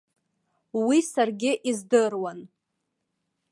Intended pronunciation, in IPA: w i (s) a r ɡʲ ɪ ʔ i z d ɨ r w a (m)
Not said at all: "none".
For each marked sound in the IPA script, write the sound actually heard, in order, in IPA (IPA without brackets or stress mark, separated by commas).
s, n